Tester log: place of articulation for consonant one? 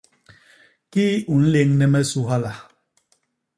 velar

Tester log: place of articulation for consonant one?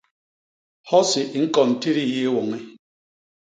glottal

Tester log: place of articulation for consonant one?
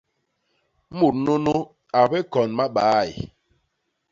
labial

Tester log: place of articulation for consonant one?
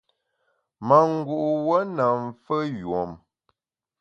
labial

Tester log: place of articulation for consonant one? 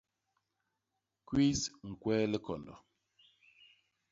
velar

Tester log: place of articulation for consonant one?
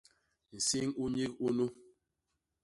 alveolar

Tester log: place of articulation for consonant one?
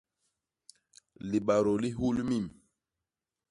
alveolar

